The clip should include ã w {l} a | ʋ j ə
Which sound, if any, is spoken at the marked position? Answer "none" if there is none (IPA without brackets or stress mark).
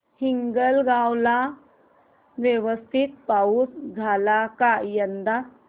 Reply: l